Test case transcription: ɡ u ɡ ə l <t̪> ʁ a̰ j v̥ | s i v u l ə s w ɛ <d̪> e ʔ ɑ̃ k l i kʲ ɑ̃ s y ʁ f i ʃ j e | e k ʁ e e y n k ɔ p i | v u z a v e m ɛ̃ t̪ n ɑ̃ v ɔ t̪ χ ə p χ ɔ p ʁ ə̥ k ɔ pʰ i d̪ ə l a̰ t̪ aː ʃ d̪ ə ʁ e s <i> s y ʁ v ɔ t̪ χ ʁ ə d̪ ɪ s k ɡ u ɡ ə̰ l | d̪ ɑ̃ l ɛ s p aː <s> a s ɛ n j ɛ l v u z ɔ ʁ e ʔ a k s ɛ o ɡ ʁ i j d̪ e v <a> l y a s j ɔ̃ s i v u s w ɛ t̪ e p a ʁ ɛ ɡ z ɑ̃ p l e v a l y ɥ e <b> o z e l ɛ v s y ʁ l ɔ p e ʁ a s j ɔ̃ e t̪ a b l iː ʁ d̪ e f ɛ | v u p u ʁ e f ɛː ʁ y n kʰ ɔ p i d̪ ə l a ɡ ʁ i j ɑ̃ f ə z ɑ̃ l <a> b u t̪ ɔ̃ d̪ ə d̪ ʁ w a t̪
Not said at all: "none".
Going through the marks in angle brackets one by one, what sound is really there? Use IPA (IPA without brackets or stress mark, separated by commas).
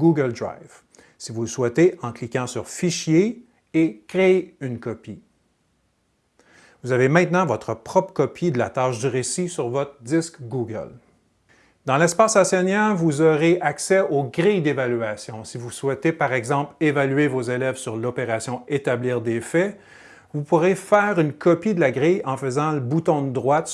d̪, t̪, i, s, a, v, ə